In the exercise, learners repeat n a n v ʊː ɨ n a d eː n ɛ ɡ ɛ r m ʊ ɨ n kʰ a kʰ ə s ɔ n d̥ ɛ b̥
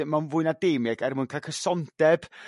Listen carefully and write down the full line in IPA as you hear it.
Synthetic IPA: m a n v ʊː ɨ n a d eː m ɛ ɡ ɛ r m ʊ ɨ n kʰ a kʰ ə s ɔ n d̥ ɛ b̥